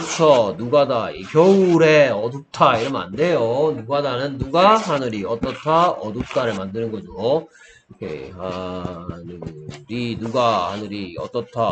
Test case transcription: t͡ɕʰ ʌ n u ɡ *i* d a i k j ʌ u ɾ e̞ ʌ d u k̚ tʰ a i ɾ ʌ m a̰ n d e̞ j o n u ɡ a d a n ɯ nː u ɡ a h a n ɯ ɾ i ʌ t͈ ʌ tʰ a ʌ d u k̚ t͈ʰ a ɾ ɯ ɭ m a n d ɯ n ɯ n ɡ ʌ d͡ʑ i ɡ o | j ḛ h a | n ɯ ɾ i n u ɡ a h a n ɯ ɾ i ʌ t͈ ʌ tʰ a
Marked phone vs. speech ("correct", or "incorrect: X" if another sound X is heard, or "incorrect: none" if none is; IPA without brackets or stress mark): incorrect: a